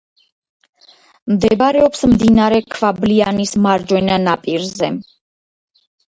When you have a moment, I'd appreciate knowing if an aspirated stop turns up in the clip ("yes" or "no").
yes